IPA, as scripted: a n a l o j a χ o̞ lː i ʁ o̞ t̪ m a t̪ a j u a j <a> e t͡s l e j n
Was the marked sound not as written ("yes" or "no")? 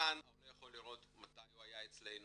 no